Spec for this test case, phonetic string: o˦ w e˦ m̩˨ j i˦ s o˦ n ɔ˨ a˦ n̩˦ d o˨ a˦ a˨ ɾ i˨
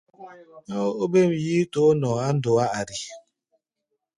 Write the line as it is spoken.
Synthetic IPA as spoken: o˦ b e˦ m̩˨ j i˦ t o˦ n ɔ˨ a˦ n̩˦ d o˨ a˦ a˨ ɾ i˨